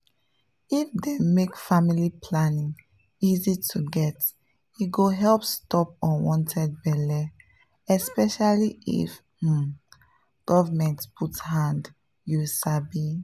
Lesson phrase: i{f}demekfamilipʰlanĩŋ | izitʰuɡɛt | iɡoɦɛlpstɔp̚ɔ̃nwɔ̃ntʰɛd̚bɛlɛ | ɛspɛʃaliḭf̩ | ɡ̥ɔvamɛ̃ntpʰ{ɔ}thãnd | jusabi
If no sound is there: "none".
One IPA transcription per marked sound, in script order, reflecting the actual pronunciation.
f, u

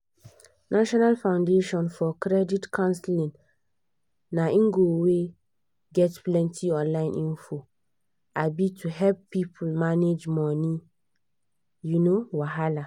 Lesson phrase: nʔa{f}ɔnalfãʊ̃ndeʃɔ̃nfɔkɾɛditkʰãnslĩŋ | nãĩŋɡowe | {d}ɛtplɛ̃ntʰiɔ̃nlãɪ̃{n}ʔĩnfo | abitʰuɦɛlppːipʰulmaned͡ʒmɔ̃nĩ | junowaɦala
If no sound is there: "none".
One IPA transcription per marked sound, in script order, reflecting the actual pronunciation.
ʃ, ɡ, n

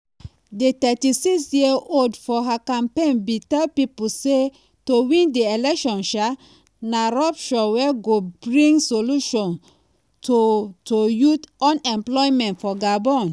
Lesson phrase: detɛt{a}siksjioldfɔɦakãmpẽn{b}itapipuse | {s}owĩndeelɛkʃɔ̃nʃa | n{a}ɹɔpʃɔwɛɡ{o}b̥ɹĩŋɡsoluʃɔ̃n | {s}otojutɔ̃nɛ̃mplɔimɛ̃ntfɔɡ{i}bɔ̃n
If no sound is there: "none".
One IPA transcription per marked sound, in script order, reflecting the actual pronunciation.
i, b, t, a, o, t, a

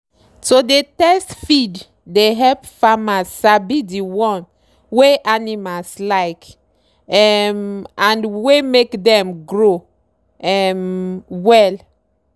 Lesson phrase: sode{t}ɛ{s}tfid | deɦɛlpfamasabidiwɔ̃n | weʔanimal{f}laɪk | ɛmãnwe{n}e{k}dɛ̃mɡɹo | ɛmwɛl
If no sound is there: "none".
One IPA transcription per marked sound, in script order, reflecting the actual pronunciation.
t, s, s, m, k

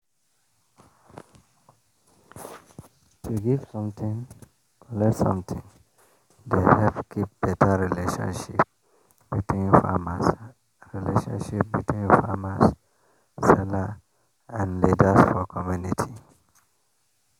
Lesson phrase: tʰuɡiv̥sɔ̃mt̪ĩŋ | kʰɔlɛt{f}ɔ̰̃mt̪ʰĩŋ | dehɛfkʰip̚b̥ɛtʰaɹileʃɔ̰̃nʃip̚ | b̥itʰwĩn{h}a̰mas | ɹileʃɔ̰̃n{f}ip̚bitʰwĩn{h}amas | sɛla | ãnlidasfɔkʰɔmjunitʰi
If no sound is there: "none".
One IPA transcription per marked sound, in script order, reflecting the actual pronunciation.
s, f, ʃ, f

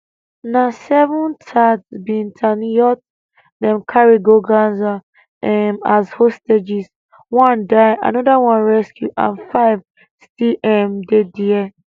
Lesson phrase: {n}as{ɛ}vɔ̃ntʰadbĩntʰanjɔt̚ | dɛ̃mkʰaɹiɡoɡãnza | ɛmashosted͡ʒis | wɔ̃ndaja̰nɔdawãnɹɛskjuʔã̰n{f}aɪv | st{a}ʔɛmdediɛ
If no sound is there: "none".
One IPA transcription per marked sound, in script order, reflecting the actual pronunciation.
n, ɛ, f, i

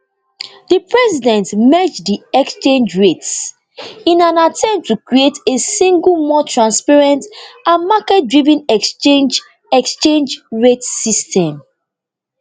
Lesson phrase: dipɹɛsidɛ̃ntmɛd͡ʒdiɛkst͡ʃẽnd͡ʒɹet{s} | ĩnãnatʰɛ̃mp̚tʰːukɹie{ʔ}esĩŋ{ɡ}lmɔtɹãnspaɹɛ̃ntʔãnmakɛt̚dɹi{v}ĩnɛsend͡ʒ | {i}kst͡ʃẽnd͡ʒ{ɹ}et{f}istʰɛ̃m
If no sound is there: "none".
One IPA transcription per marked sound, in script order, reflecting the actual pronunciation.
s, t, ɡ, v, ɛ, ɹ, s

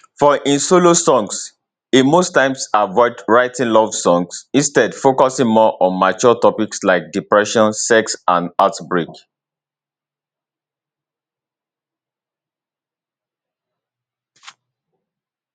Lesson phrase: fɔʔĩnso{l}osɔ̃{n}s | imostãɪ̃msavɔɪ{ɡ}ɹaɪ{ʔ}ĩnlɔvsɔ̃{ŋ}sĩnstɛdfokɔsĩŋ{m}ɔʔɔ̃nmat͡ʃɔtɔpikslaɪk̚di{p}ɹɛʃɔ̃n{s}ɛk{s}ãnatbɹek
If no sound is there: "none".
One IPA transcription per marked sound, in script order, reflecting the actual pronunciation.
l, ŋ, d, t, ŋ, m, p, s, s

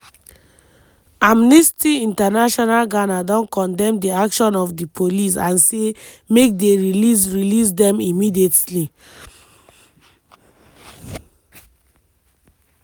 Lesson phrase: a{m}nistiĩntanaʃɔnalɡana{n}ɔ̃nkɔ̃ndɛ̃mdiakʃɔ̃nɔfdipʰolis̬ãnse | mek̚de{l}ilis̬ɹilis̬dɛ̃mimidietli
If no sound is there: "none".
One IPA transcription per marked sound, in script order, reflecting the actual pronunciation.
m, d, ɹ

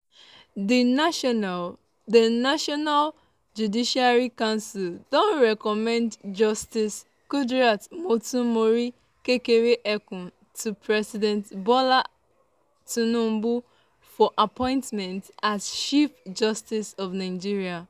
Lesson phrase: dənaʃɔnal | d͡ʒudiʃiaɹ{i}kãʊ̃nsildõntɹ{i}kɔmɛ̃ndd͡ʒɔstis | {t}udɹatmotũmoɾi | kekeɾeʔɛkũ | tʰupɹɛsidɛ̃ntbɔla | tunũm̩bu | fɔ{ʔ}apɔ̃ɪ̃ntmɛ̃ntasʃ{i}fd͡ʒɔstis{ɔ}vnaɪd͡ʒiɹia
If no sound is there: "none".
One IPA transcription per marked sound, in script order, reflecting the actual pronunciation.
i, ɛ, k, ʔ, i, ɔ

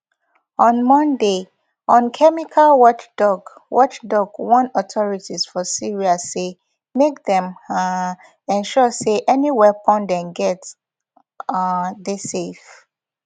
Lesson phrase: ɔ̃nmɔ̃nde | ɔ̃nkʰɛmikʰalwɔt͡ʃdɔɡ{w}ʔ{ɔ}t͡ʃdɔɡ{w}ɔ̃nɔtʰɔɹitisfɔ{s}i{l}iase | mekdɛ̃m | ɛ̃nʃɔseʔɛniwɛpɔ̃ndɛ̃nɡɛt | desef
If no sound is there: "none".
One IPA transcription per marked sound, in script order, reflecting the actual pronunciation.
w, ɔ, w, s, ɹ

